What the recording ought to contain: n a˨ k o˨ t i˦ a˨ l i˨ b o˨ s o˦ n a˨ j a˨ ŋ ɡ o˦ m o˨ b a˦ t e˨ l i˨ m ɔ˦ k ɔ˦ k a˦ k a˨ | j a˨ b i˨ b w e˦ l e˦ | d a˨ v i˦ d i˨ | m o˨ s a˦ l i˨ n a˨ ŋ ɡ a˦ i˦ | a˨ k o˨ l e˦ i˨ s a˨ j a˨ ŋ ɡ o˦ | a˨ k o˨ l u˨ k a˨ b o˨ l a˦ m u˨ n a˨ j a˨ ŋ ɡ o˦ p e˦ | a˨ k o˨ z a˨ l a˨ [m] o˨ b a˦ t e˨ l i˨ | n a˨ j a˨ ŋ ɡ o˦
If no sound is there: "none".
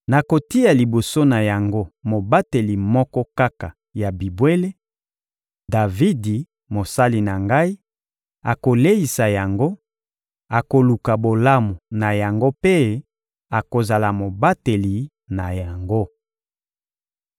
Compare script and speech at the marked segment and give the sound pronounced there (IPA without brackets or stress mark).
m